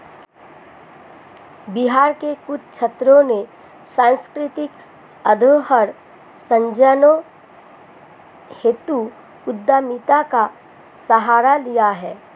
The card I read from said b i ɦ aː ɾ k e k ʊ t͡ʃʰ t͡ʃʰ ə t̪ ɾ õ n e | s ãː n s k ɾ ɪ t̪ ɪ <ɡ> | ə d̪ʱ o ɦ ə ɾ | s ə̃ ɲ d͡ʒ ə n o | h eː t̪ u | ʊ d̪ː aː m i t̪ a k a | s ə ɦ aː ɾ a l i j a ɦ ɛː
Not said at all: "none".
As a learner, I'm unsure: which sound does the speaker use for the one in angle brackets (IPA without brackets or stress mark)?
k